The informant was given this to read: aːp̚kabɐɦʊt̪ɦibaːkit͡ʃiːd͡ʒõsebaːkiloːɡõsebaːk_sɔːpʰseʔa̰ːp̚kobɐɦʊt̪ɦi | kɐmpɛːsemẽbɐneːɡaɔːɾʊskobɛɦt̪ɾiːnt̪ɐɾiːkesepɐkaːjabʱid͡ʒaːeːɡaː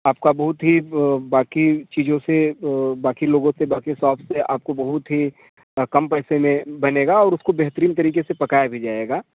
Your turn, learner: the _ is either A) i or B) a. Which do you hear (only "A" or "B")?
A